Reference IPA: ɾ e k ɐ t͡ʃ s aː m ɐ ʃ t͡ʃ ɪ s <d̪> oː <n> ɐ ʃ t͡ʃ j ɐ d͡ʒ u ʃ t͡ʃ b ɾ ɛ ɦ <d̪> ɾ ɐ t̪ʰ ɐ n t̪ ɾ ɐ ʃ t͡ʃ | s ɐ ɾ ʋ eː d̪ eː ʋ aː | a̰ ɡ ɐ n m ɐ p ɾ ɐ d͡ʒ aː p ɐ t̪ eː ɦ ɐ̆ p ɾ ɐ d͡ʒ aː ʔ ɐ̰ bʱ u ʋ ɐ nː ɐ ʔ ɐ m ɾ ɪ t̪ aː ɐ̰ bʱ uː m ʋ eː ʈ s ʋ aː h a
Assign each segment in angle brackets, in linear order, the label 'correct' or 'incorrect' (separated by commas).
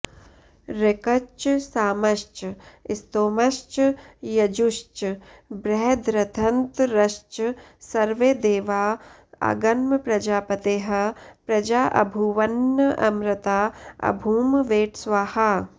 incorrect, incorrect, correct